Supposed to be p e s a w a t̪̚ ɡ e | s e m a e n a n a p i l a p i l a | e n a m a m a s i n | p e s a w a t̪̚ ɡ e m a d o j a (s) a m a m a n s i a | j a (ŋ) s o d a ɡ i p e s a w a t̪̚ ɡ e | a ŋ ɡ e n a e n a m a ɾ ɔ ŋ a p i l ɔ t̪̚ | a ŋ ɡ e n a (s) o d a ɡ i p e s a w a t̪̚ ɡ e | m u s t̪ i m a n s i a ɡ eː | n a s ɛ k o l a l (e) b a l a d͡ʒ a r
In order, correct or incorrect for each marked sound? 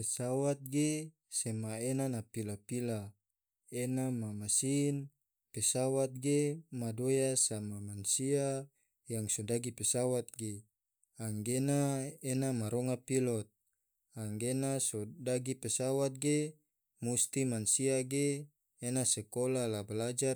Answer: correct, correct, correct, incorrect: a

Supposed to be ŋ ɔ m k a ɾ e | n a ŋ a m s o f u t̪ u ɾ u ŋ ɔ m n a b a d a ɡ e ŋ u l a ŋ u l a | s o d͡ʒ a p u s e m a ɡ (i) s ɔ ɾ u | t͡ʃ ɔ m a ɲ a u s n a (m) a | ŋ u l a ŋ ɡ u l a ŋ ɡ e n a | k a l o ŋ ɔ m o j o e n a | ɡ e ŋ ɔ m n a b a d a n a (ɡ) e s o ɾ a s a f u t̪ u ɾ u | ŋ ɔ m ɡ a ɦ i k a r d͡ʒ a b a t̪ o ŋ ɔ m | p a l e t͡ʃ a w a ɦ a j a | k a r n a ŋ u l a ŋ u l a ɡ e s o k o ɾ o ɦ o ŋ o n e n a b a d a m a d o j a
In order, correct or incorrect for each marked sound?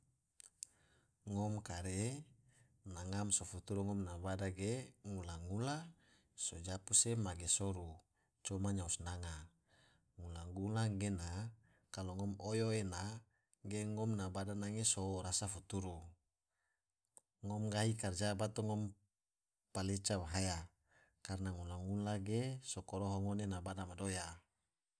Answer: incorrect: e, incorrect: ŋ, incorrect: ŋ

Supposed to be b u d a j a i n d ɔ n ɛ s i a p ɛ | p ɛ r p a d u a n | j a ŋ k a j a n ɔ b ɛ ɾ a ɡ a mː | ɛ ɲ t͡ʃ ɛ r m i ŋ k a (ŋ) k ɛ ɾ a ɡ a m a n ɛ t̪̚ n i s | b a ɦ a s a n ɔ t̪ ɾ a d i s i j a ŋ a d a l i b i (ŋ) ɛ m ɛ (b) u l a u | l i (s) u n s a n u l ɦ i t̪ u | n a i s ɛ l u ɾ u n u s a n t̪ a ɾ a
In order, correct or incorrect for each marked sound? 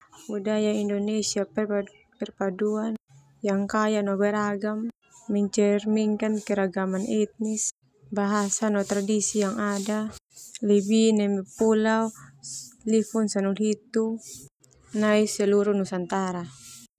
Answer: incorrect: n, incorrect: n, incorrect: p, incorrect: f

